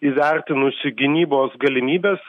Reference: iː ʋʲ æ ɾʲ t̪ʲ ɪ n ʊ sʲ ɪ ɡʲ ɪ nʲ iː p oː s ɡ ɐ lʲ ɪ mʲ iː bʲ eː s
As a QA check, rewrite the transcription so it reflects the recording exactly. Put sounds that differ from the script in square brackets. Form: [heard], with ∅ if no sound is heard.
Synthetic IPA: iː ʋʲ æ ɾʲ t̪ʲ ɪ n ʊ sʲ ɪ ɡʲ ɪ nʲ iː [b] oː s ɡ ɐ lʲ ɪ mʲ iː bʲ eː s

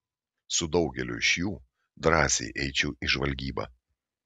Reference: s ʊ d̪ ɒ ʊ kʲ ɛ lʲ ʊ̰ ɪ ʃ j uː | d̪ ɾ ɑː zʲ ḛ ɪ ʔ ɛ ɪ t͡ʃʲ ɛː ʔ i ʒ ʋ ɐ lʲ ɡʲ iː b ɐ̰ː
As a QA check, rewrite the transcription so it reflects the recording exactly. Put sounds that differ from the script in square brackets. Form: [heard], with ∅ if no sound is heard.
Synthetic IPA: s ʊ d̪ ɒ ʊ [ɡʲ] ɛ lʲ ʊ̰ ɪ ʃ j uː | d̪ ɾ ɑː [sʲ] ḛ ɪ ʔ ɛ ɪ t͡ʃʲ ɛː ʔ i ʒ ʋ ɐ lʲ ɡʲ iː b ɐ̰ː

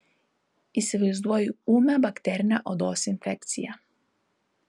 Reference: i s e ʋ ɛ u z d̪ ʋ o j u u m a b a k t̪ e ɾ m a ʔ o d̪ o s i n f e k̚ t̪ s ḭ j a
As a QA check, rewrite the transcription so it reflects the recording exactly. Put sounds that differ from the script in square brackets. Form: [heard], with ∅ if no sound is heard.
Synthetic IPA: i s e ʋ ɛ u z d̪ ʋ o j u u m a b a k t̪ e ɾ [n] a ʔ o d̪ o s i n f e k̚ t̪ s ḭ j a

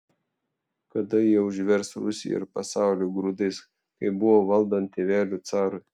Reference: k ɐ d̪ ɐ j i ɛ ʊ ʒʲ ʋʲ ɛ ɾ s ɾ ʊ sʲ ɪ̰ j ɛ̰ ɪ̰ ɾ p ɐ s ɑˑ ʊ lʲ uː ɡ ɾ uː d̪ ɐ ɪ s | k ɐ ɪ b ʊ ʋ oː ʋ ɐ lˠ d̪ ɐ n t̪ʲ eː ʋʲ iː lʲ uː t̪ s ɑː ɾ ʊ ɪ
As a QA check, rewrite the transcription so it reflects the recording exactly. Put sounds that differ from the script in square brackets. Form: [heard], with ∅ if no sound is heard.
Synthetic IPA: k ɐ d̪ ɐ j i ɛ ʊ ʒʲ ʋʲ ɛ ɾ s ɾ ʊ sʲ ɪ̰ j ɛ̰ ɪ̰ ɾ p ɐ s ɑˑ ʊ lʲ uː ɡ ɾ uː d̪ ɐ ɪ s | k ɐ ɪ b ʊ ʋ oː ʋ ɐ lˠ d̪ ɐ n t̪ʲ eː ʋʲ [æː] lʲ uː t̪ s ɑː ɾ ʊ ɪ

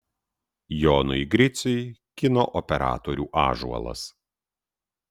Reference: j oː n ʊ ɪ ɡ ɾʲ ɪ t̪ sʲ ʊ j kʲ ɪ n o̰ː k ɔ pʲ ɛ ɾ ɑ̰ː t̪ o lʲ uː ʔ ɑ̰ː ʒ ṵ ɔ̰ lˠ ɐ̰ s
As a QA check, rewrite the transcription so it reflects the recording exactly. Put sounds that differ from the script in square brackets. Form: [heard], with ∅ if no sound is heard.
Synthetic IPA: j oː n ʊ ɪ ɡ ɾʲ ɪ t̪ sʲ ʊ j kʲ ɪ n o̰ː [ʔ] ɔ pʲ ɛ ɾ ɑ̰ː t̪ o [ɾʲ] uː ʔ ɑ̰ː ʒ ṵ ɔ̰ lˠ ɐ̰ s

